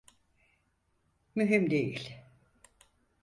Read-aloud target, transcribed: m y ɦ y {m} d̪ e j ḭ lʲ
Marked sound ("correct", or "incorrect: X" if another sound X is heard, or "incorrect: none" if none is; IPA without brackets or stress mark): correct